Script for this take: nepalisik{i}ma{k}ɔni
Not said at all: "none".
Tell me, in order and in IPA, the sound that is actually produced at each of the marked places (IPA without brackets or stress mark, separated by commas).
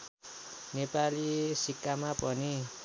a, p